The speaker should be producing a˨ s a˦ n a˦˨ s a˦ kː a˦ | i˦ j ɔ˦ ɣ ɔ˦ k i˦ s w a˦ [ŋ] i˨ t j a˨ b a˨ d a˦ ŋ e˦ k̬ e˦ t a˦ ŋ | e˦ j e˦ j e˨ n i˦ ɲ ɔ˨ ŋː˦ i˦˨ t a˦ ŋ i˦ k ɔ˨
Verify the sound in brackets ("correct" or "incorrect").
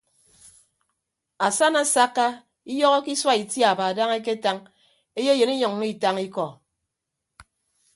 incorrect